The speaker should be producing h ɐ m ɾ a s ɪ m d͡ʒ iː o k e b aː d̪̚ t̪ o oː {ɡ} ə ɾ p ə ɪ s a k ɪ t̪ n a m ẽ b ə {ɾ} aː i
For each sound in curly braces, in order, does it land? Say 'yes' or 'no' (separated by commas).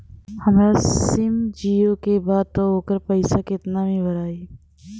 no, yes